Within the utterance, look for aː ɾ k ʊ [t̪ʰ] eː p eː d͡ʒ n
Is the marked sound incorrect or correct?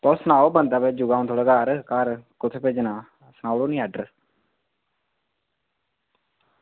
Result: correct